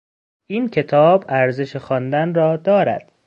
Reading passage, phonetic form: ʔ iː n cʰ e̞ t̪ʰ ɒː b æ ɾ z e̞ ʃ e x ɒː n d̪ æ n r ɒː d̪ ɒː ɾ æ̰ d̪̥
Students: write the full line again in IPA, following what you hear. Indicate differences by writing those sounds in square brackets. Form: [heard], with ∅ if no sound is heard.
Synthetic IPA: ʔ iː n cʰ e̞ t̪ʰ ɒː b æ ɾ z e̞ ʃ e x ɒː n d̪ æ n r ɒː d̪ ɒː ɾ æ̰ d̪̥